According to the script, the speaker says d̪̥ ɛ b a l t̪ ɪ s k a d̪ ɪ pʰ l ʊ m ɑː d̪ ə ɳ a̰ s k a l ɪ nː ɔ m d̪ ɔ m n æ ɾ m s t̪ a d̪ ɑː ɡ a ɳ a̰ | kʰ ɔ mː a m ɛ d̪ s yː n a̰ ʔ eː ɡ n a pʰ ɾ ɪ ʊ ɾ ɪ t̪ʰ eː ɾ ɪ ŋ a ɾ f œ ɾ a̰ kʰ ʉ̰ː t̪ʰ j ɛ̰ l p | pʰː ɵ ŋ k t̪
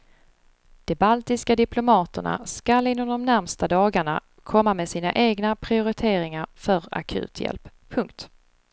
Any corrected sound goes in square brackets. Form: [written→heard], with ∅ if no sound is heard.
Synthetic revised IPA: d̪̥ ɛ b a l t̪ ɪ s k a d̪ ɪ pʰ l ʊ m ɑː [d̪→t̪] ə ɳ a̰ s k a l ɪ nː ɔ m d̪ ɔ m n æ ɾ m s t̪ a d̪ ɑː ɡ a ɳ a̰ | kʰ ɔ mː a m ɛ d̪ s [yː→iː] n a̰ ʔ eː ɡ n a pʰ ɾ ɪ ʊ ɾ ɪ t̪ʰ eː ɾ ɪ ŋ a ɾ f œ ɾ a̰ kʰ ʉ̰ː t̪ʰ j ɛ̰ l p | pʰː ɵ ŋ k t̪